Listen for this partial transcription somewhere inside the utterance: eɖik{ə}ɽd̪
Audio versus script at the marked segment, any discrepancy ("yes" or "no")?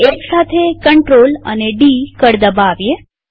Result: no